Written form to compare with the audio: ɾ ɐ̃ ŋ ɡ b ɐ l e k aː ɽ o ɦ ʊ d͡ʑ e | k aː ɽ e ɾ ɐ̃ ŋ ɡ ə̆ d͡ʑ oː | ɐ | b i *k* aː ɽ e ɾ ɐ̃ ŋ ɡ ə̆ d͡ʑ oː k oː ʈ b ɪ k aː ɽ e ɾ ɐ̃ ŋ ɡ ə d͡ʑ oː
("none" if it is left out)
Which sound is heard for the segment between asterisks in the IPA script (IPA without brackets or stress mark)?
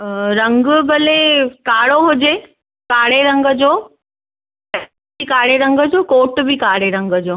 k